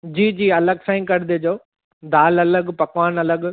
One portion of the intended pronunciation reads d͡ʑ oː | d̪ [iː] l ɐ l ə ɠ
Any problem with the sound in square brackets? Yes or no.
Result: yes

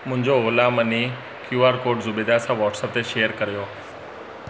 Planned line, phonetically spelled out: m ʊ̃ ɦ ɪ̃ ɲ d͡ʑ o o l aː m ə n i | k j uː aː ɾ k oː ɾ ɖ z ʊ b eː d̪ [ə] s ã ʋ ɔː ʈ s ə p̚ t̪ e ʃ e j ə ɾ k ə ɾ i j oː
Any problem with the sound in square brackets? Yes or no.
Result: yes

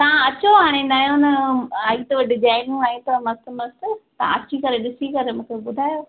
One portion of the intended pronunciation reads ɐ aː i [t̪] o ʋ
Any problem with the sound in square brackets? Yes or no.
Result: no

